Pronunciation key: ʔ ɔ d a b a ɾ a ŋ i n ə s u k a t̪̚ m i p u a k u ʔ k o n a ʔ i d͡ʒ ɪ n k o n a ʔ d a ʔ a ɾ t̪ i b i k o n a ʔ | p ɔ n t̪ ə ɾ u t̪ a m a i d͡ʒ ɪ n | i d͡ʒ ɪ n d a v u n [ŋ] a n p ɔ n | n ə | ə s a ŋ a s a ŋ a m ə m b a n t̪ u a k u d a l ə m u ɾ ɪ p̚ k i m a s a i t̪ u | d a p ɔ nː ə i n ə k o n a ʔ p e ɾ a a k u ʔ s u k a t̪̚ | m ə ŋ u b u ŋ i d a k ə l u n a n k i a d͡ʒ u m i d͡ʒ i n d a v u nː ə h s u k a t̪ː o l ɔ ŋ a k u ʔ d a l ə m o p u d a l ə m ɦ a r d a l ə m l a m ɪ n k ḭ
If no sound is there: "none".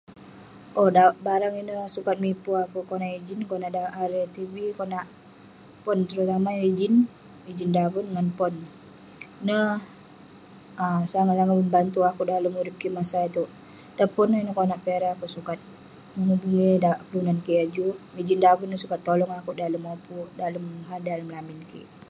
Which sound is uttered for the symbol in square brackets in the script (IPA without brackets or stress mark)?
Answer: ŋ